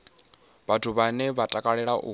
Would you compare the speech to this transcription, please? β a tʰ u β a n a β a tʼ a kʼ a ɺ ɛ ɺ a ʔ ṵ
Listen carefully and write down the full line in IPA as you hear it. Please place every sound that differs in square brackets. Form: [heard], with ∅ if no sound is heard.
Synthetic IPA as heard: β a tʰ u β a n [ɛ] β a tʼ a kʼ a ɺ ɛ ɺ a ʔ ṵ

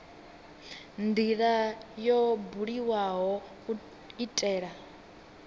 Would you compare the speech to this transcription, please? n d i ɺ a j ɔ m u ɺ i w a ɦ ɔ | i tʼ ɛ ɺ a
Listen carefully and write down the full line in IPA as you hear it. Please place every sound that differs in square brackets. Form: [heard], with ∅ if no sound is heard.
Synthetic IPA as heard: n d i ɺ a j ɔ [b] u ɺ i w a ɦ ɔ | i tʼ [ɛː] ɺ a

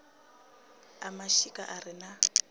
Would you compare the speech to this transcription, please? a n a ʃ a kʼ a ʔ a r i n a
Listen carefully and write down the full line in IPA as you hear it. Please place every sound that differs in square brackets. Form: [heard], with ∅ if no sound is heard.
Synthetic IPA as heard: a [m] a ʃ [i] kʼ a ʔ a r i n a

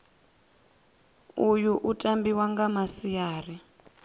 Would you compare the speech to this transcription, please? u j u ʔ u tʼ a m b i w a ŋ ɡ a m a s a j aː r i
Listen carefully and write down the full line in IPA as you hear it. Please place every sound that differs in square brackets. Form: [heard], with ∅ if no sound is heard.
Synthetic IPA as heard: u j u ʔ u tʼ a m b i w a ŋ ɡ a m a s [i] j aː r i

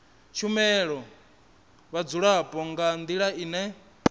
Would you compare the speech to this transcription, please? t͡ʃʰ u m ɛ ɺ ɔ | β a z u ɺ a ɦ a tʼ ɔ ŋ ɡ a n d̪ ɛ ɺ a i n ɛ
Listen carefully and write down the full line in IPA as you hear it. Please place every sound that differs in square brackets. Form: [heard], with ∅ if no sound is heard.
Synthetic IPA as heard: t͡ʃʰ u m ɛ ɺ ɔ | β a [d͡z] u ɺ a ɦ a [pʼ] ɔ ŋ ɡ a n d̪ [i] ɺ a i n ɛ

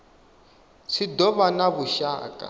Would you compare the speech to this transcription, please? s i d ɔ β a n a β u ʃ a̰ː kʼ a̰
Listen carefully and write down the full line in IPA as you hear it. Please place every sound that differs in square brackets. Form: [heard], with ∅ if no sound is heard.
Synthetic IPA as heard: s i d ɔ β a n a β u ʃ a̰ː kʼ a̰

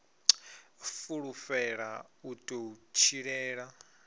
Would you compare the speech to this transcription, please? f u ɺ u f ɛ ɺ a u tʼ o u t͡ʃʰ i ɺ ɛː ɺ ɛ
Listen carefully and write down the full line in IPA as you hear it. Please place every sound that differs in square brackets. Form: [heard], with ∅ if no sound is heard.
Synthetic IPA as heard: f u ɺ u f ɛ ɺ a u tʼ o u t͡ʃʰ i ɺ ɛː ɺ [a]

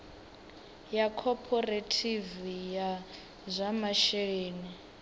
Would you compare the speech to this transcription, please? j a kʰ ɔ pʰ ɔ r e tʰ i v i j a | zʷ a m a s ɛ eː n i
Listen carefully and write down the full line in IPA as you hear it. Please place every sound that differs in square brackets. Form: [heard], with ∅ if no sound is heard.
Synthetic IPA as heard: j a kʰ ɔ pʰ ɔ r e tʰ i v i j a | zʷ a m a [ʃ] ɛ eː n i

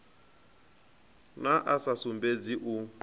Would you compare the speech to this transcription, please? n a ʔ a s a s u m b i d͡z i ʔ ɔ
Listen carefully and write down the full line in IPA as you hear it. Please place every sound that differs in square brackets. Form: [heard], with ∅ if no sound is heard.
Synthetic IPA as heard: n a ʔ a s a s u m b [e] d͡z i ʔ [u]

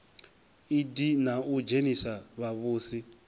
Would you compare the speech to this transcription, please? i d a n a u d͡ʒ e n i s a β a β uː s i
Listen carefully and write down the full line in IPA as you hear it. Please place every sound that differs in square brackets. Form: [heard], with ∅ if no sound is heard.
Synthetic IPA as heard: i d [i] n a u d͡ʒ e n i s a β a β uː s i

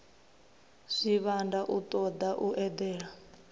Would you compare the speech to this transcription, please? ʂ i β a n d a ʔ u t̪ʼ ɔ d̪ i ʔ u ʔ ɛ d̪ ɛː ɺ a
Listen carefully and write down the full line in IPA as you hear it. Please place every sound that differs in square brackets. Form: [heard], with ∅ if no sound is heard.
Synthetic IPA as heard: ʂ i β a n d a ʔ u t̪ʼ ɔ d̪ [a] ʔ u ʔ ɛ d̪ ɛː ɺ a

